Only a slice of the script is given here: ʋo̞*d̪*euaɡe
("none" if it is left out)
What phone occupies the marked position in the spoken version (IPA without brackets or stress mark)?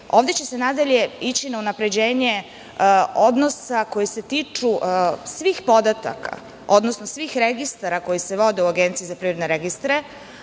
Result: d̪